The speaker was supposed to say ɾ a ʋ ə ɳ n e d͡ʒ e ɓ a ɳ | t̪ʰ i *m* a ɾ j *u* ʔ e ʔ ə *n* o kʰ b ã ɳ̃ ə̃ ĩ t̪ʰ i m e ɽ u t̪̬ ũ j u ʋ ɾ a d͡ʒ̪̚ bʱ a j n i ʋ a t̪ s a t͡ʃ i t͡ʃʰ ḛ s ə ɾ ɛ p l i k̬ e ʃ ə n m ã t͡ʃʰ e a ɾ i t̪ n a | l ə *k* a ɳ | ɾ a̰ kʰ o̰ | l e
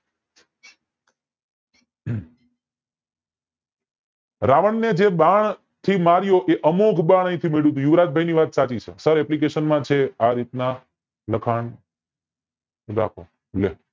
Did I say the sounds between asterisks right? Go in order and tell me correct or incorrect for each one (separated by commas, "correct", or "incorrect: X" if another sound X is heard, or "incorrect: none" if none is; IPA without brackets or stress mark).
correct, incorrect: o, incorrect: m, incorrect: kʰ